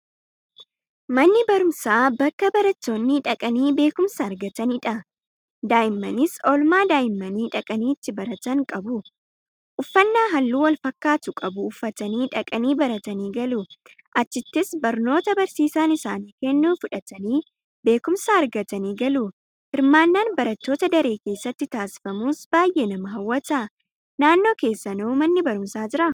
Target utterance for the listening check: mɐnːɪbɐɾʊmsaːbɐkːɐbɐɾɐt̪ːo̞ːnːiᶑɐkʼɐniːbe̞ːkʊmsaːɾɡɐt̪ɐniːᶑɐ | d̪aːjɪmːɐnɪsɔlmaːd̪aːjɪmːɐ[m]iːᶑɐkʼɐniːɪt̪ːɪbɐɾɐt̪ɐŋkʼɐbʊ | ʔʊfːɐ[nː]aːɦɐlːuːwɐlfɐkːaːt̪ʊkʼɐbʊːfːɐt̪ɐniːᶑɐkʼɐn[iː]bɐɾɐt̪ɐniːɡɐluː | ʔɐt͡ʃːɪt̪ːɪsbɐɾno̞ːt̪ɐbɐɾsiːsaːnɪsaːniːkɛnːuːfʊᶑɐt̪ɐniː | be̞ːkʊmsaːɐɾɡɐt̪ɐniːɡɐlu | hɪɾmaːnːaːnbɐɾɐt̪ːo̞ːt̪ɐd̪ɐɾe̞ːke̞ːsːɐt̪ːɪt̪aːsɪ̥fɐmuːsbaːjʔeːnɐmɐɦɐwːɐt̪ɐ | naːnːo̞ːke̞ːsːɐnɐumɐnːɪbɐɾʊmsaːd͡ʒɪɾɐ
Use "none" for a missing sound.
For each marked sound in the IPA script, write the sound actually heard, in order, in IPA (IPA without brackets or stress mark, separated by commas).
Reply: n, nː, iː